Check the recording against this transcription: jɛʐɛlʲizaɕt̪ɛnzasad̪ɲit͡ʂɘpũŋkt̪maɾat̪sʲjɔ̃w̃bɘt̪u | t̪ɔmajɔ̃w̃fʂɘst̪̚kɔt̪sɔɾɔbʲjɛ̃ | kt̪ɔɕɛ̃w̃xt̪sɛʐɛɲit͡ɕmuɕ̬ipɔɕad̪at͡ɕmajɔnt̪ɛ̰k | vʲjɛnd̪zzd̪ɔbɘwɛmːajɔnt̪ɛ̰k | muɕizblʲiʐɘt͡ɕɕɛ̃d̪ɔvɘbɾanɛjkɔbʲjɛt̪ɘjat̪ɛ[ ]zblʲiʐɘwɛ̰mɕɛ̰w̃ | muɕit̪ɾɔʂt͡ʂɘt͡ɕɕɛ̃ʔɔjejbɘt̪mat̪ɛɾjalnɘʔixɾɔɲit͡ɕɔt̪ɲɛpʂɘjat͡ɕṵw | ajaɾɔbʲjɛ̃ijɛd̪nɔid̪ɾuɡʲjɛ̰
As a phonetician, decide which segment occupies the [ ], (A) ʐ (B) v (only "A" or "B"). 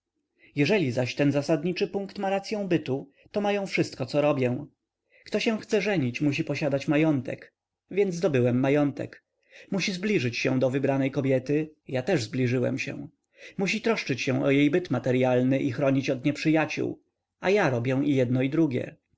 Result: A